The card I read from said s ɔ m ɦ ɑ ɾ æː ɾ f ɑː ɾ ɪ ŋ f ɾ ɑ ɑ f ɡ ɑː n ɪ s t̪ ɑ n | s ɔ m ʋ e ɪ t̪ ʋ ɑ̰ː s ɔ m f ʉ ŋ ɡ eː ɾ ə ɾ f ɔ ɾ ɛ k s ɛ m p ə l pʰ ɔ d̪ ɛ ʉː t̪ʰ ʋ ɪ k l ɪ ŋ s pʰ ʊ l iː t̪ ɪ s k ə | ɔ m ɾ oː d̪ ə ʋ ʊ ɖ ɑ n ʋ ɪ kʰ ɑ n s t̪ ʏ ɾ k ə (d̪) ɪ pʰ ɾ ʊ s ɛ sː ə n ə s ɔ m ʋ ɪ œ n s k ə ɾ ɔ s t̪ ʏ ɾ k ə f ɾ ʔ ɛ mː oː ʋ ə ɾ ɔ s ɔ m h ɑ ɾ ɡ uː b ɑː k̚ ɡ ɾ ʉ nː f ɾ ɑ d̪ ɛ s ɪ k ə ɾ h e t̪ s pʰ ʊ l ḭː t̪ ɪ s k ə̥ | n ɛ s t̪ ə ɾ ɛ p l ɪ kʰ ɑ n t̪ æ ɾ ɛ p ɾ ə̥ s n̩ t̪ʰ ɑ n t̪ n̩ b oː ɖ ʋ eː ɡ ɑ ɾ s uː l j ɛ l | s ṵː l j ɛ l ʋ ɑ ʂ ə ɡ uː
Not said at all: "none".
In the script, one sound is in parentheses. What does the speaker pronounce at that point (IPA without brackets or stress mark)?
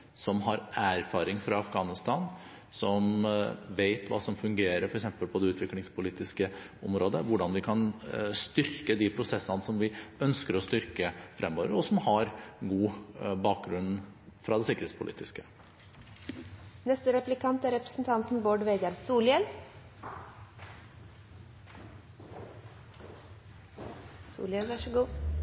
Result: d̪